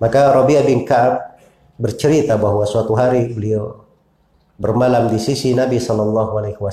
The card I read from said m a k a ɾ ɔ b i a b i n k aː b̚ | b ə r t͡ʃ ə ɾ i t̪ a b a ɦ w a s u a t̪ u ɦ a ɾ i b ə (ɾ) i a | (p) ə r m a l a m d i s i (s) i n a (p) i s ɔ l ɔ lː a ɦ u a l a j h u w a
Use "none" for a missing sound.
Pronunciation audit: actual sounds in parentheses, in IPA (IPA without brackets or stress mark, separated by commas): l, b, s, b